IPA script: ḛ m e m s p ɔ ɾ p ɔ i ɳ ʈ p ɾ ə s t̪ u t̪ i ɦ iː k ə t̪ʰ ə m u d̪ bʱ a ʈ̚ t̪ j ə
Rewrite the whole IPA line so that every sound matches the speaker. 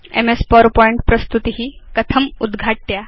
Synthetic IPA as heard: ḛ m e s p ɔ ɾ p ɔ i ɳ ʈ p ɾ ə s t̪ u t̪ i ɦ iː k ə t̪ʰ ə m u d̪ ɡʱ a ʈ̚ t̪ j a